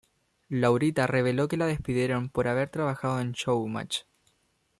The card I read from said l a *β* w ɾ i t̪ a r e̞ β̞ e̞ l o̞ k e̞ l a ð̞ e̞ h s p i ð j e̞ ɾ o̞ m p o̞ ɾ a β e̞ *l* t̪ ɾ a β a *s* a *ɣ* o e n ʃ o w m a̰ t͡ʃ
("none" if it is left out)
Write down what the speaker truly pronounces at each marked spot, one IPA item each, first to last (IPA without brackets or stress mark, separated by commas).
none, ɾ, x, ð